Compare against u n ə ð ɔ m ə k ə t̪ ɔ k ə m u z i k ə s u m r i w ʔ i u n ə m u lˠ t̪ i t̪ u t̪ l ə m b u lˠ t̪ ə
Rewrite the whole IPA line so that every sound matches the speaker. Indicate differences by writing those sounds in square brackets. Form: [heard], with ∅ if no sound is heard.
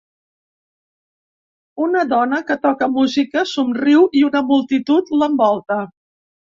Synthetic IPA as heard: u n ə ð ɔ [n] ə k ə t̪ ɔ k ə m u z i k ə s u m r i w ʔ i u n ə m u lˠ t̪ i t̪ u t̪ l ə m b [ɔ] lˠ t̪ ə

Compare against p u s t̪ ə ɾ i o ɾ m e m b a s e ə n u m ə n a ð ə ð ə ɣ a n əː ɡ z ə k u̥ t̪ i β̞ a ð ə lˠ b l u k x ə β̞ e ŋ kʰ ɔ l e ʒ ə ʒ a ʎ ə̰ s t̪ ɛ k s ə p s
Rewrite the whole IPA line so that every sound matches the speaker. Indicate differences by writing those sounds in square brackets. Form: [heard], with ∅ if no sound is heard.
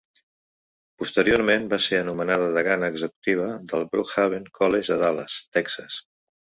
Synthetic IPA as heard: p u s t̪ ə ɾ i o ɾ m e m b a s e ə n u m ə n a ð ə ð ə ɣ a n əː ɡ z ə k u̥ t̪ i β̞ [ə] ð ə lˠ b [ɾ] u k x [a] β̞ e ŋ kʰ ɔ l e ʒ ə [ð] a [l] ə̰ s t̪ ɛ k s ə [∅] s

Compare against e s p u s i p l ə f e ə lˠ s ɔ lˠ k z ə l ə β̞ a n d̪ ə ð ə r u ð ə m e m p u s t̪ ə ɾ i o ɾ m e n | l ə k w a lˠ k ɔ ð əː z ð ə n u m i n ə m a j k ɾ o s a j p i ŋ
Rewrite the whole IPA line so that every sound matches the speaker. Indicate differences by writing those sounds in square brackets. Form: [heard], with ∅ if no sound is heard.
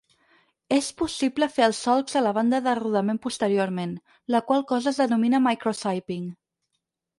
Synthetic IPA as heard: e s p u s i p l ə f e ə lˠ s ɔ lˠ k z ə l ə β̞ a n d̪ ə ð ə r u ð ə m e m p u s t̪ ə ɾ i o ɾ m e n | l ə k w a lˠ k ɔ [z] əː z ð ə n u m i n ə m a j k ɾ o s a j p i ŋ

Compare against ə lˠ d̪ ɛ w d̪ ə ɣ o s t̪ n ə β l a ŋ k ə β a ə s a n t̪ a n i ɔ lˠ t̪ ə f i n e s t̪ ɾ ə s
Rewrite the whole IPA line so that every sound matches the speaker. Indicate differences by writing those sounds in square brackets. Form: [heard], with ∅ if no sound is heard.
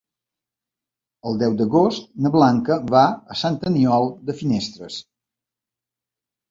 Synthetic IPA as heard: ə lˠ d̪ ɛ w d̪ ə ɣ o s t̪ n ə β l a ŋ k ə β a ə s a n t̪ [ə] n i ɔ lˠ [d̪] ə f i n e s t̪ ɾ ə s

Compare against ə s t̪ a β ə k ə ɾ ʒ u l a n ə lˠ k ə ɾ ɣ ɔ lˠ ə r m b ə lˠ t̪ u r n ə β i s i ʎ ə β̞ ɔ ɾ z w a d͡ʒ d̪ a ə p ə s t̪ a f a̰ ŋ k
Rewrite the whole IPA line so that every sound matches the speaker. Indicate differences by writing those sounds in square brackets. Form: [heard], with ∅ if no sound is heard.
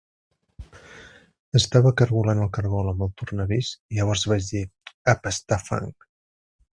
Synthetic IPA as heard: ə s t̪ a β ə k ə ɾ [ɣ] u l a n ə lˠ k ə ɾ ɣ ɔ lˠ ə [∅] m b ə lˠ t̪ u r n ə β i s i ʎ ə β̞ ɔ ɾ z [β] a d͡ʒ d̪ [i] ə p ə s t̪ a f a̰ ŋ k

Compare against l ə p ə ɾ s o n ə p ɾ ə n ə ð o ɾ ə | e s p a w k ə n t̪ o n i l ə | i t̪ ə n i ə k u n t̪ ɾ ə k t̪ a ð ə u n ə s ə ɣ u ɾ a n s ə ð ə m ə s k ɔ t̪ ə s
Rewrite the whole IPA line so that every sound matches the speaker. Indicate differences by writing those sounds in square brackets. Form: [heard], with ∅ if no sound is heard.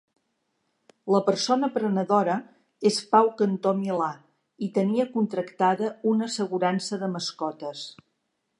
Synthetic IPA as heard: l ə p ə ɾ s o n ə p ɾ ə n ə ð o ɾ ə | e s p a w k ə n t̪ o [m] i l [a] | i t̪ ə n i ə k u n t̪ ɾ ə k t̪ a ð ə u n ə s ə ɣ u ɾ a n s ə ð ə m ə s k ɔ t̪ ə s

